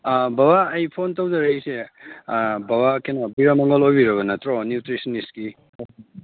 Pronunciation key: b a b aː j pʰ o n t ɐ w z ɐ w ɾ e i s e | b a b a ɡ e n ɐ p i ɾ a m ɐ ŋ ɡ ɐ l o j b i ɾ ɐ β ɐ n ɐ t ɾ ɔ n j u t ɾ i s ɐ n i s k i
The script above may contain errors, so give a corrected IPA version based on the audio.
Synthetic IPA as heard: b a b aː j pʰ o n t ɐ w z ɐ ɾ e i s e | b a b a k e n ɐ b i ɾ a m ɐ ŋ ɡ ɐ l o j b i ɾ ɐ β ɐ n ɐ t ɾ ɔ n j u t ɾ i s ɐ n i s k i